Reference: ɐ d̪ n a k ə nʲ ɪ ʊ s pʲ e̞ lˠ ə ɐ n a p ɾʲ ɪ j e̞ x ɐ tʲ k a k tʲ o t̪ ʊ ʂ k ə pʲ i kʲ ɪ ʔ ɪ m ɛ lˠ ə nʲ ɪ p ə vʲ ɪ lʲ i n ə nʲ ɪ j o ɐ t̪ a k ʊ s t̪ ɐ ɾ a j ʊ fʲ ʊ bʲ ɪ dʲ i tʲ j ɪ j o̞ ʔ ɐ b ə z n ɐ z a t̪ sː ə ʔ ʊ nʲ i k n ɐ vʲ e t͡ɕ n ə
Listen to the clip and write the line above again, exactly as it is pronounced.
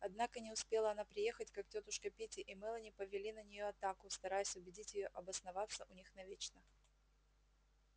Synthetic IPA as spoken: ɐ d̪ n a k ə nʲ ɪ ʊ s pʲ e̞ lˠ ə ɐ n a p ɾʲ ɪ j e̞ x ə tʲ k a k tʲ o t̪ ʊ ʂ k ə pʲ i tʲ ɪ ʔ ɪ m ɛ lˠ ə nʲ ɪ p ə vʲ ɪ lʲ i n ə nʲ ɪ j o ɐ t̪ a k ʊ s t̪ ɐ ɾ a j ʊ sʲ ʊ bʲ ɪ dʲ i tʲ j ɪ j o̞ ʔ ɐ b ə s n ɐ v a t̪ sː ə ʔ ʊ nʲ i x n ɐ vʲ e t͡ɕ n ə